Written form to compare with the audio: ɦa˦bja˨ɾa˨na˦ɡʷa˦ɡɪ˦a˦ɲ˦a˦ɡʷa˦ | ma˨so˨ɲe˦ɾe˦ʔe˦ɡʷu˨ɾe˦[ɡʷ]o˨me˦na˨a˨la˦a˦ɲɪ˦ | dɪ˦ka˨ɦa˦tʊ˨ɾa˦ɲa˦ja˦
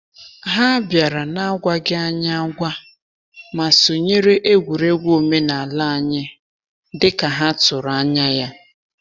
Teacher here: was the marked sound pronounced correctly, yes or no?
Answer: yes